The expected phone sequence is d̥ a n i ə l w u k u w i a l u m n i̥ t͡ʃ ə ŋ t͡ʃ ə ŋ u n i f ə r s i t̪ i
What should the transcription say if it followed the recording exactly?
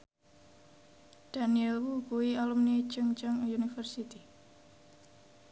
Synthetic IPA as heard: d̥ a n i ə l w u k u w i a l u m n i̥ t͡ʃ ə ŋ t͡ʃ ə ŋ u n i f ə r s i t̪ i